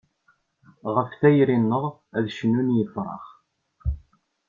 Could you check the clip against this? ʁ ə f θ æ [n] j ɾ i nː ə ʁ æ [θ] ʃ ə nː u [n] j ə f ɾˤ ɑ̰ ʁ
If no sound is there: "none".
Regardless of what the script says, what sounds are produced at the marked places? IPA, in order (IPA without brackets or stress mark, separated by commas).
none, ð, n